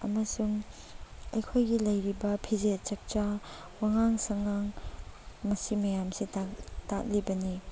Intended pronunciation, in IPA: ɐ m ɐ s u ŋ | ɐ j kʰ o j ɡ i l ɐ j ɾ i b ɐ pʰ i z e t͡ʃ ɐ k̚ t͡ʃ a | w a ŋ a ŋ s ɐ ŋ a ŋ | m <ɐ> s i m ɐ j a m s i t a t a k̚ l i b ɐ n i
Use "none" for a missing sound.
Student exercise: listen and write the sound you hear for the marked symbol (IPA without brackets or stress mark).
ɐ